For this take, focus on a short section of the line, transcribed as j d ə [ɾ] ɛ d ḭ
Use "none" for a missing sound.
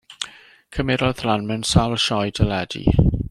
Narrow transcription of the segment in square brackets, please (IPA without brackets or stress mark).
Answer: l